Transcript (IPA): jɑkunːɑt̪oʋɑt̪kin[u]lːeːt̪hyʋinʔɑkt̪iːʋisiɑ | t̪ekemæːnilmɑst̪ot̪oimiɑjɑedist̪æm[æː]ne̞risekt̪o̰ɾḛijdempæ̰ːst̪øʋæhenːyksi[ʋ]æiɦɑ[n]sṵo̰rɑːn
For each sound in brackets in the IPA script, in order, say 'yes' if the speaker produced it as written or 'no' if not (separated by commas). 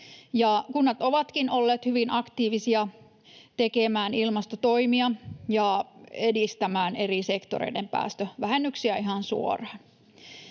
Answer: no, yes, no, yes